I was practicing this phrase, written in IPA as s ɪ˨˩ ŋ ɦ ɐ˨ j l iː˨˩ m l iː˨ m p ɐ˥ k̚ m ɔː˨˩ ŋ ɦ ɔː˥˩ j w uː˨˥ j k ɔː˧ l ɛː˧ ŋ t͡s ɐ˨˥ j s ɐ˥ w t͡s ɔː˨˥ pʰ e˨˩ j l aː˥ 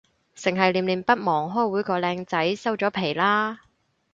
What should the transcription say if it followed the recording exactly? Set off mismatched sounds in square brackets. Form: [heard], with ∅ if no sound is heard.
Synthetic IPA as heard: s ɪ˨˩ ŋ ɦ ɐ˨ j l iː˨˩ m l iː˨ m p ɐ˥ [t̚] m ɔː˨˩ ŋ ɦ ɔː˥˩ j w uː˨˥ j k ɔː˧ l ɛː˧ ŋ t͡s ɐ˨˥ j s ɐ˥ w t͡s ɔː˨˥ pʰ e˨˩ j l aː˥